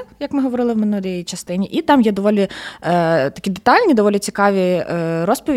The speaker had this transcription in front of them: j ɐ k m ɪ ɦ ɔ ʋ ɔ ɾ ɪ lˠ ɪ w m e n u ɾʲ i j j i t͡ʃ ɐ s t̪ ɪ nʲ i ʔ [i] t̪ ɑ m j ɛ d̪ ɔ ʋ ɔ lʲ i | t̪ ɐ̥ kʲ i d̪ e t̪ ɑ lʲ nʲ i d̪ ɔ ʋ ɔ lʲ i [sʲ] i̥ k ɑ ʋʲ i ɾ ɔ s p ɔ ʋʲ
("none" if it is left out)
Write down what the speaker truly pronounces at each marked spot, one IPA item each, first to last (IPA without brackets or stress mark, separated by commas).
i, t͡sʲ